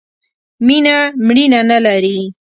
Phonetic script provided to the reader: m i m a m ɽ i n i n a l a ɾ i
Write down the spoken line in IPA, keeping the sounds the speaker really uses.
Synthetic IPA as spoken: m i n a m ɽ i n a n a l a ɾ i